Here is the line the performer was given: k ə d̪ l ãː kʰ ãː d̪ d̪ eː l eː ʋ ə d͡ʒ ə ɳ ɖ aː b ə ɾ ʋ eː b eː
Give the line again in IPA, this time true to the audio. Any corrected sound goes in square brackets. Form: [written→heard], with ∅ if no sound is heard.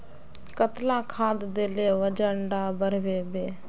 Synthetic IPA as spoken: k ə [d̪→t̪] l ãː kʰ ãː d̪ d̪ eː l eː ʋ ə d͡ʒ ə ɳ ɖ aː b ə ɾ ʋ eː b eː